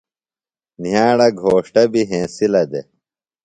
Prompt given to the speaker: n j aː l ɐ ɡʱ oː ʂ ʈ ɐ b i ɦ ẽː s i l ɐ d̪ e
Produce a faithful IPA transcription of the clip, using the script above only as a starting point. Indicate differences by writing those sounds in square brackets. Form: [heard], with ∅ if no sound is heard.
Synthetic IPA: n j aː [ɽ] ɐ ɡʱ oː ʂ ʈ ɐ b i ɦ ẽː s i l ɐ d̪ e